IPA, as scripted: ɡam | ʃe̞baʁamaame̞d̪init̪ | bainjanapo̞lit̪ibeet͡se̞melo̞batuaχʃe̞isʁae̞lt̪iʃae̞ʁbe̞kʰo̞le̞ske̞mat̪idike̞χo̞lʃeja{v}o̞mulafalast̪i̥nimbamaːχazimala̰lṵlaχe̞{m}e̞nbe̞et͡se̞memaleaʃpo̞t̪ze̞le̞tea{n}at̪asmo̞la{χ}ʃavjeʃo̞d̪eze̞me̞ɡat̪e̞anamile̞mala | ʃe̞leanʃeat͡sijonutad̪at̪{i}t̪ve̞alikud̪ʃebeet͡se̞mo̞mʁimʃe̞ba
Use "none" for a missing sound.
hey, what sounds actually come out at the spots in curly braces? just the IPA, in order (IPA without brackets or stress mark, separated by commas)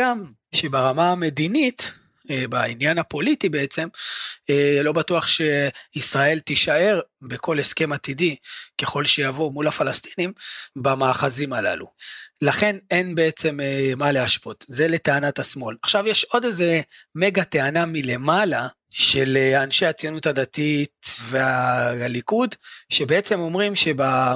v, n, n, χ, i